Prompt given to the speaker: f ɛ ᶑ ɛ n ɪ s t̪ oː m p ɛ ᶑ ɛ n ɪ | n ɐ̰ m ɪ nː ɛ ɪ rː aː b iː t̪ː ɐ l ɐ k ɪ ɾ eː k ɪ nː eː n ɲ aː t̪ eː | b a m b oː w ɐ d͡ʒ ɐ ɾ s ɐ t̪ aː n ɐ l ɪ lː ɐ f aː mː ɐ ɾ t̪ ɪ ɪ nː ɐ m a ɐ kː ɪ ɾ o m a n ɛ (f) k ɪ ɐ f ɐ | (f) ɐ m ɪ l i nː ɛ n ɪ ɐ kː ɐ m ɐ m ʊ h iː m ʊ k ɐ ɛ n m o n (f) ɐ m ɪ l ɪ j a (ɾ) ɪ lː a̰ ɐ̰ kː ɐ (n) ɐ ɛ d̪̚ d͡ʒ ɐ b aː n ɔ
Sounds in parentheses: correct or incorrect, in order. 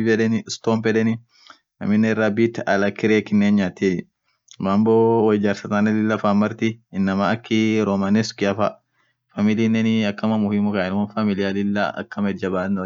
incorrect, correct, correct, incorrect, incorrect

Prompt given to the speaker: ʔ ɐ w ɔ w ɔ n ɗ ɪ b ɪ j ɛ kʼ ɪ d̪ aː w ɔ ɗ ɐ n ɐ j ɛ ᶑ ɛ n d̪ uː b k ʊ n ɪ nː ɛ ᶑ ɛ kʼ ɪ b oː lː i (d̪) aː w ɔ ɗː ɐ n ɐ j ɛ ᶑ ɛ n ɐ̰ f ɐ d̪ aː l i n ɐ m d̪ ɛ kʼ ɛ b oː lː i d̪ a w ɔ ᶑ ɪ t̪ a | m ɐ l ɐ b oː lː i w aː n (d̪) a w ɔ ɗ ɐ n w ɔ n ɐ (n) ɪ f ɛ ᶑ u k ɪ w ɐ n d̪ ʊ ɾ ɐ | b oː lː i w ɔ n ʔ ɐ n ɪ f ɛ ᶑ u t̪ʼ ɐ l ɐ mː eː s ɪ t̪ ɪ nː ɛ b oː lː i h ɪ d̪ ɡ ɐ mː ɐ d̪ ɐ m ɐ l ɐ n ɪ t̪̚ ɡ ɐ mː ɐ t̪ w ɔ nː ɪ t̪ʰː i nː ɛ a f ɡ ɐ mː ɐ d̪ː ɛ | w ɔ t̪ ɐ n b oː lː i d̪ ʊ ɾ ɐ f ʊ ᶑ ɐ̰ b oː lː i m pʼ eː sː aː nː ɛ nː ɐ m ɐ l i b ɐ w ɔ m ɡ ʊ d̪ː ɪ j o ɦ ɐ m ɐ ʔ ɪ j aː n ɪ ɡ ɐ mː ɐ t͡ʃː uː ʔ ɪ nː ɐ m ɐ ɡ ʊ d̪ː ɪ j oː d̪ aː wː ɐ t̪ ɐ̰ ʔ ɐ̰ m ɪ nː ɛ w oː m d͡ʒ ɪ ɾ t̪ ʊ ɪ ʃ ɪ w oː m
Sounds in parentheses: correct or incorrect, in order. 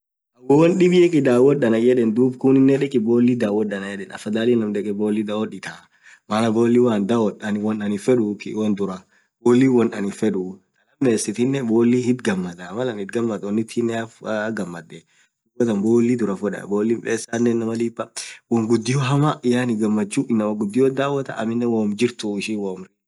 correct, correct, correct

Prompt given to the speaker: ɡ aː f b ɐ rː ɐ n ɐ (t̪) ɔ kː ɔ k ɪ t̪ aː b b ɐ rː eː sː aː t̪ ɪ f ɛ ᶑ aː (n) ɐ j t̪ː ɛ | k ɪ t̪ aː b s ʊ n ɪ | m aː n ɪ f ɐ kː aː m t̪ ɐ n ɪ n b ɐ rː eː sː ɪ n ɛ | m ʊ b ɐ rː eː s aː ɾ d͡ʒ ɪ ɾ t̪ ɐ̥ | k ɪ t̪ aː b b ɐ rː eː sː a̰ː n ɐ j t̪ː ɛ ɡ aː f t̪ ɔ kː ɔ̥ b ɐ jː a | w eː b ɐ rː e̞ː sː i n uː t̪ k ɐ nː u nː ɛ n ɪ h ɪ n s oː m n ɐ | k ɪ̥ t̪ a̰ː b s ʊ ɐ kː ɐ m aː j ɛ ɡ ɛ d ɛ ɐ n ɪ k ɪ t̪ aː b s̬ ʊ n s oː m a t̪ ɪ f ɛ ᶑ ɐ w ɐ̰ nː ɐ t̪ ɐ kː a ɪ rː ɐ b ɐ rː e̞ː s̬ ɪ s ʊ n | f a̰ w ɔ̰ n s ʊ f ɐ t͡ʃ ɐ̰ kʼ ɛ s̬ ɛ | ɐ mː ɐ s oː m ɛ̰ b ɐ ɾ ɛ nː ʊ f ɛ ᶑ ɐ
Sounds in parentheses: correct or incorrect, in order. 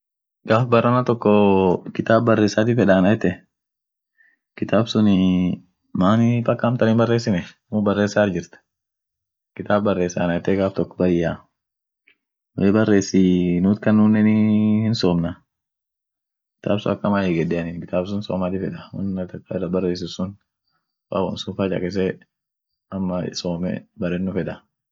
correct, correct

